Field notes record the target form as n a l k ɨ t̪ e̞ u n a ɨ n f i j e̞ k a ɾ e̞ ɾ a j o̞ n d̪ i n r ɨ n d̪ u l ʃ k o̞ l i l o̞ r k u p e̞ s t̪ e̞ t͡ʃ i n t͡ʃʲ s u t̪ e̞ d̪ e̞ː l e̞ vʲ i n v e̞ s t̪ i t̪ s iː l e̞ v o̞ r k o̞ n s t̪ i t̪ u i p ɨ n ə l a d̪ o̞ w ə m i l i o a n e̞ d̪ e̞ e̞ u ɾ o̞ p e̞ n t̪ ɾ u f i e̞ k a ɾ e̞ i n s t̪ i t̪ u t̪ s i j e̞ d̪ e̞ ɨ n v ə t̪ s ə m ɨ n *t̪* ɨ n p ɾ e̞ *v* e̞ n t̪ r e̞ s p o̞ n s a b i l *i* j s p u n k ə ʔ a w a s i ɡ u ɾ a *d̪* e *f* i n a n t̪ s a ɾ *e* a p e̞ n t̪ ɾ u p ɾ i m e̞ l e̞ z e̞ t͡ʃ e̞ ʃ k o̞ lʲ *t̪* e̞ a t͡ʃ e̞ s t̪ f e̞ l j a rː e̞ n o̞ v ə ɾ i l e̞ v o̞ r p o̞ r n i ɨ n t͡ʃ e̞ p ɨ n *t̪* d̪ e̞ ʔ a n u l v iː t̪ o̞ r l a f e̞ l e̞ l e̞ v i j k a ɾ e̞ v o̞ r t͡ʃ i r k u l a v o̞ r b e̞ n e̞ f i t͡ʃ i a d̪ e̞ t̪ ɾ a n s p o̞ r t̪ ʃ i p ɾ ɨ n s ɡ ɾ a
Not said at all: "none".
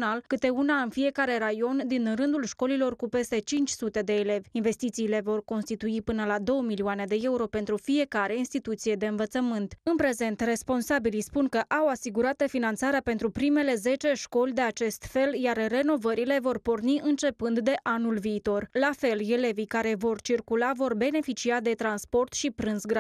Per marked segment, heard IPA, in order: t̪, z, i, t̪, f, e, d̪, d̪

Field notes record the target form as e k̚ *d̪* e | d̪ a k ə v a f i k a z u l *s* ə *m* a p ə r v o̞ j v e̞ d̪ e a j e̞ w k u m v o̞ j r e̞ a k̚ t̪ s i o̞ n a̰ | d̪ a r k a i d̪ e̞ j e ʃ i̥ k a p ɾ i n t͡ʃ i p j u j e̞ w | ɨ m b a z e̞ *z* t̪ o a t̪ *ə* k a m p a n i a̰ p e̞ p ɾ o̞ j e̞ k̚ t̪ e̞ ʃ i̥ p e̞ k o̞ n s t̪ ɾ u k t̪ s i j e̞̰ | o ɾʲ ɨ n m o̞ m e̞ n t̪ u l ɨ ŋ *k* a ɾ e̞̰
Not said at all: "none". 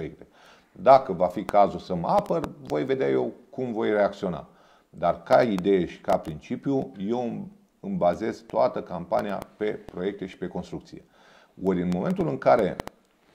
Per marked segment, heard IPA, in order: t̪, s, m, z, ə, k

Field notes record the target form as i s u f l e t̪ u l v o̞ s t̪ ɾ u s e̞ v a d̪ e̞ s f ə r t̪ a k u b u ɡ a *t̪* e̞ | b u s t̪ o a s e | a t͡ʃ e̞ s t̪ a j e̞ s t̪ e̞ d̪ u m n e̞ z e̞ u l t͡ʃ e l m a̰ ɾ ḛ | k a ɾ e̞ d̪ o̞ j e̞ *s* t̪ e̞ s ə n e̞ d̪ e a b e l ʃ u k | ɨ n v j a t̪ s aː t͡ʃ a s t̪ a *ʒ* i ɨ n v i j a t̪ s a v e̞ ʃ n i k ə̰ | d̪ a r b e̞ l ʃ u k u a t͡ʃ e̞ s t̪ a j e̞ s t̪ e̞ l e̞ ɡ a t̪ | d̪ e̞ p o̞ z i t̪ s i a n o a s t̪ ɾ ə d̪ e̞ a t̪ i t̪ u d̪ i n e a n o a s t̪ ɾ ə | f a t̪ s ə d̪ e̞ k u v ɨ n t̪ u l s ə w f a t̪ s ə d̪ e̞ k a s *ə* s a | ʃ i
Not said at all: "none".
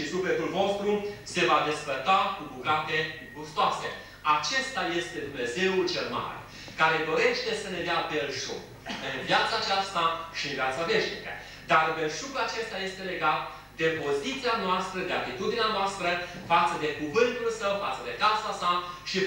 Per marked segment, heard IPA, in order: t̪, ʃ, ʃ, a

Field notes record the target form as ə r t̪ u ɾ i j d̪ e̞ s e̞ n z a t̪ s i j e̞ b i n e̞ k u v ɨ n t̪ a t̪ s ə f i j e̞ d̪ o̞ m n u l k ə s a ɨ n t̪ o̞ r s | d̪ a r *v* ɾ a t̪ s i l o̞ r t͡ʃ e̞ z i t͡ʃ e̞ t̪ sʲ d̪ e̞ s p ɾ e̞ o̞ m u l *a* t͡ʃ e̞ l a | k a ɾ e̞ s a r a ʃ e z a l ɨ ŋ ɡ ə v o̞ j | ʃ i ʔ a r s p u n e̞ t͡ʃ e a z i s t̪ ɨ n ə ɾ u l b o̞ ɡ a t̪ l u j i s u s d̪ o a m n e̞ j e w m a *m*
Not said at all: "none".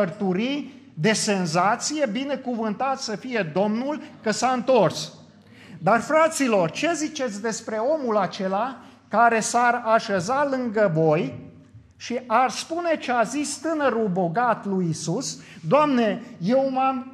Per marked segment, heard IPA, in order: f, a, m

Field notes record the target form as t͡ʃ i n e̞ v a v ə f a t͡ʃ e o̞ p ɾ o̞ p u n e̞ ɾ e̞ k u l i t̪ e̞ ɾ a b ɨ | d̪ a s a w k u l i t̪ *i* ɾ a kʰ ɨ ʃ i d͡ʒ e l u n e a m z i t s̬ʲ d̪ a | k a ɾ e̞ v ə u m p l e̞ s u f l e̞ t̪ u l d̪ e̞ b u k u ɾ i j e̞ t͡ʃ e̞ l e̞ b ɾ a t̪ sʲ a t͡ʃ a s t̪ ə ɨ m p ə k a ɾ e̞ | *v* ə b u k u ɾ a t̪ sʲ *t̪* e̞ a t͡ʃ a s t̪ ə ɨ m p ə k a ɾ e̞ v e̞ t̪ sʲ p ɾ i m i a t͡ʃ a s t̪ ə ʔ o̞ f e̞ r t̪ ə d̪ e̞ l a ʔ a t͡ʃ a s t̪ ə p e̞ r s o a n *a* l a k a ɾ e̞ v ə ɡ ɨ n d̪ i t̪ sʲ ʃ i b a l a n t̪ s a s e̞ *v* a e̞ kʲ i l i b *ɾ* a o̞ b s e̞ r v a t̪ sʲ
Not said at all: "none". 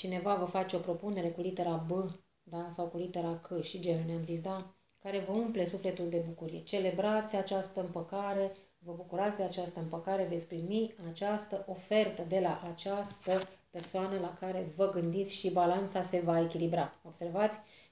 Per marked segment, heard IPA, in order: e, v, d̪, ə, v, ɾ

